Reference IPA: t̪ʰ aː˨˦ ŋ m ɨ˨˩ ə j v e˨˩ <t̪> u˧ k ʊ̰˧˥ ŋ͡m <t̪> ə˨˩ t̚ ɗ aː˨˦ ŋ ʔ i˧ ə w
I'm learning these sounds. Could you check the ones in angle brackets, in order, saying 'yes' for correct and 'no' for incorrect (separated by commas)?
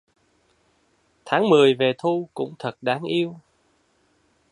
no, no